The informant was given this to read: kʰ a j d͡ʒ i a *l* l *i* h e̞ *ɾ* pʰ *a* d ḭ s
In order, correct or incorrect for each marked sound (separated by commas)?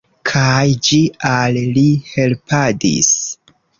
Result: correct, correct, incorrect, correct